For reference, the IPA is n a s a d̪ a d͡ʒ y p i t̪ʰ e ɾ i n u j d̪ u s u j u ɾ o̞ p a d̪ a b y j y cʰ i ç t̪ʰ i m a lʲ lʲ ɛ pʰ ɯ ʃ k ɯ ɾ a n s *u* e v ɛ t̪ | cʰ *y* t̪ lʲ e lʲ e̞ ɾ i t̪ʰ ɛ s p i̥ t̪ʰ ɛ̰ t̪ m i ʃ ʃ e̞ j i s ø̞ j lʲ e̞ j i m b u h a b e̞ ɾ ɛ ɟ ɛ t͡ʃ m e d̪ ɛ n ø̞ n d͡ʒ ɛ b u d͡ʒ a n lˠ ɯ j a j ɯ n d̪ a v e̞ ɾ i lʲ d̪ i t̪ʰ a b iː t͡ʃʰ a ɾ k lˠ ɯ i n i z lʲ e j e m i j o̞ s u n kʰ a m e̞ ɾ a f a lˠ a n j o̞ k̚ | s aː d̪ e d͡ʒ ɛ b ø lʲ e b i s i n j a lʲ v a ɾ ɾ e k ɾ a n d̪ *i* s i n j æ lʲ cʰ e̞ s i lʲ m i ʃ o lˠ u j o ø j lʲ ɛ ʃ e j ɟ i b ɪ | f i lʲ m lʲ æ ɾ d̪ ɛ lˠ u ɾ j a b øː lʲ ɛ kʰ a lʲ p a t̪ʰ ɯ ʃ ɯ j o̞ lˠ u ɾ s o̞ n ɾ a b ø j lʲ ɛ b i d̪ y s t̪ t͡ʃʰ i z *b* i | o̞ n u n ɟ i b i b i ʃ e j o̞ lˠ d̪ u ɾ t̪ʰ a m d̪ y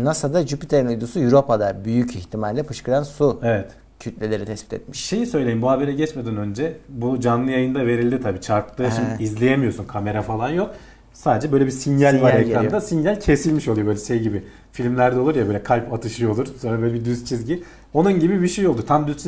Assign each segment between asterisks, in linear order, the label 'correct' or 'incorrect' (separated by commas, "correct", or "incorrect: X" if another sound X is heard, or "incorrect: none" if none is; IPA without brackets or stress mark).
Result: correct, correct, incorrect: a, incorrect: ɟ